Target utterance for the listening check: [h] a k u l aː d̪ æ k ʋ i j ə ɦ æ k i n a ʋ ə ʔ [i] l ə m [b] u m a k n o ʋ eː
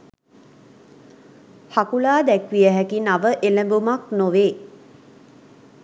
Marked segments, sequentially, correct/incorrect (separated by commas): correct, incorrect, correct